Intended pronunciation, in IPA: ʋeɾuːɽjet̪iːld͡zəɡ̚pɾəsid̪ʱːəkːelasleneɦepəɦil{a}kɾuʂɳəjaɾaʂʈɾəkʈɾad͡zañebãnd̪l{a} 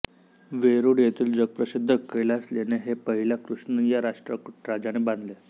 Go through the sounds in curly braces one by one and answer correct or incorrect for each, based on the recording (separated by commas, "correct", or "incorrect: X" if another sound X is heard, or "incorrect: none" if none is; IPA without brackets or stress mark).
correct, incorrect: e